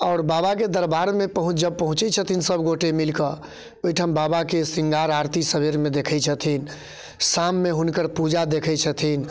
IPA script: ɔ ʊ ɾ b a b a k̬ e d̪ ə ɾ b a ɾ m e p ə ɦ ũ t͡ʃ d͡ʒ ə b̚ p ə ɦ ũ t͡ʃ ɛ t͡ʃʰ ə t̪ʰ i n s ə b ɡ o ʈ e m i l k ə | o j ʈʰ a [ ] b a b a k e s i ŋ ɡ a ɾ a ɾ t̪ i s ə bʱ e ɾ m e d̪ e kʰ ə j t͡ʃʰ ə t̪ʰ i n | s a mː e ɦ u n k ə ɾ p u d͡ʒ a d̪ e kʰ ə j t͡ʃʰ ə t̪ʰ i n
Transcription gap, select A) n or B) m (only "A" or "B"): B